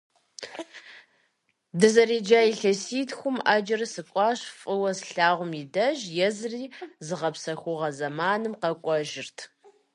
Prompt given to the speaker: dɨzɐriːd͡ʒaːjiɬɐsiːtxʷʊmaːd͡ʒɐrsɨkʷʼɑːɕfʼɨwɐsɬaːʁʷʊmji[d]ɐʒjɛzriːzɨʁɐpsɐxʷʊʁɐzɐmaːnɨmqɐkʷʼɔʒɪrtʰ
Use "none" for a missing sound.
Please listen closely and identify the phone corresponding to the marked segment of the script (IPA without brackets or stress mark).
d